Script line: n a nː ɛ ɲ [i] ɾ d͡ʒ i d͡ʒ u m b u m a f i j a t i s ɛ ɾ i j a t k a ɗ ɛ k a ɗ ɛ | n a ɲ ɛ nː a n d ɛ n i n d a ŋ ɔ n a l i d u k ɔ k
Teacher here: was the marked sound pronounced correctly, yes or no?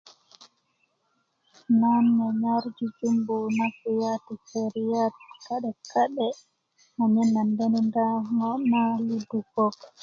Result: no